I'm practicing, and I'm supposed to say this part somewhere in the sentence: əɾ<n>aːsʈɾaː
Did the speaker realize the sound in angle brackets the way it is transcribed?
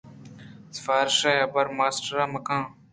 no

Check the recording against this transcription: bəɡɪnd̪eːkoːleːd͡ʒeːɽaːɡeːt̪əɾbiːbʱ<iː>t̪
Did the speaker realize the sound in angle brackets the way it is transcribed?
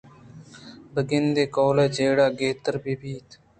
yes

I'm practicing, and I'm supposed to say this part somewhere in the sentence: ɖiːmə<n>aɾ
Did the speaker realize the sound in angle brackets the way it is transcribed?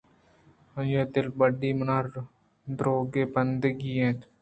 yes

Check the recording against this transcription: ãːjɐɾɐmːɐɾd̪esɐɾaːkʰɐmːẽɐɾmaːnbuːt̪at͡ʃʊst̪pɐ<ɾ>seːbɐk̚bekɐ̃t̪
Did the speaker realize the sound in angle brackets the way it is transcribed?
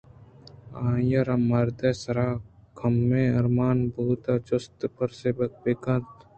yes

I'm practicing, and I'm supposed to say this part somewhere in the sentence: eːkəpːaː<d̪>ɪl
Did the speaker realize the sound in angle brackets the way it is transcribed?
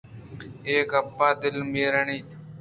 yes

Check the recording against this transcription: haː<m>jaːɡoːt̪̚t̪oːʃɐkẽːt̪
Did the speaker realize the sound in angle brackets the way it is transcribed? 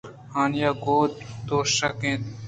no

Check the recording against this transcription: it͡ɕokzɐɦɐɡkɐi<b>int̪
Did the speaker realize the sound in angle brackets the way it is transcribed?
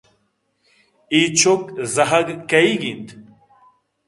no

